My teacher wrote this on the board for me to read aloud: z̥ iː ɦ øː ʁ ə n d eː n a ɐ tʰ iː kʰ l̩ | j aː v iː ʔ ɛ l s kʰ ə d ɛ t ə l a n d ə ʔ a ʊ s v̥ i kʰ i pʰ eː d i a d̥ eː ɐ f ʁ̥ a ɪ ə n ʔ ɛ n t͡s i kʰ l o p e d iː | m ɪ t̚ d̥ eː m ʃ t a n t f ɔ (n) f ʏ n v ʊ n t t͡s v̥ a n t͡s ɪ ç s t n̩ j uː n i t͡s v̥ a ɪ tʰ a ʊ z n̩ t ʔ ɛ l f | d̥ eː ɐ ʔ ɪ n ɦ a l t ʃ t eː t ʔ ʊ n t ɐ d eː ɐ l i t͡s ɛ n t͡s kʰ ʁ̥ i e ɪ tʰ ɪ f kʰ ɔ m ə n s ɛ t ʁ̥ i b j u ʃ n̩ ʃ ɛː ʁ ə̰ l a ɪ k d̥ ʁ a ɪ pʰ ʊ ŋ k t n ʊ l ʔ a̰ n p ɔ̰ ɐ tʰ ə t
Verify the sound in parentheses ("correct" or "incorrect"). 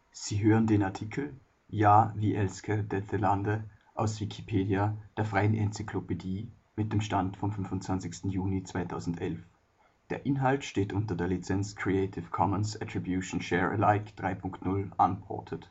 incorrect